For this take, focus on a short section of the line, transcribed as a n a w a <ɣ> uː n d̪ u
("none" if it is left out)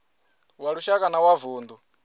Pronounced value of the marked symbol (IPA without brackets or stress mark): v